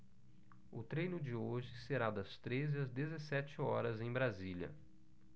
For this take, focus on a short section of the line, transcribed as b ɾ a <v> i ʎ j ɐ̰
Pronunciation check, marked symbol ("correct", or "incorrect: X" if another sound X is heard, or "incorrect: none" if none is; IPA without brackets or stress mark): incorrect: z